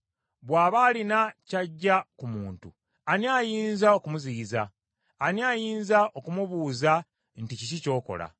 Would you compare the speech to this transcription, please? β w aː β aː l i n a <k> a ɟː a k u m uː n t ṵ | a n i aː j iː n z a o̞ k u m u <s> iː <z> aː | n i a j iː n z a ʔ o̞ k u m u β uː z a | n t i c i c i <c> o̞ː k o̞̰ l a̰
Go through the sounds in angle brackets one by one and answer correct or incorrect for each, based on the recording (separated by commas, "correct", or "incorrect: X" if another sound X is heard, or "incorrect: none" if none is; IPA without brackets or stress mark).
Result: incorrect: c, incorrect: z, correct, correct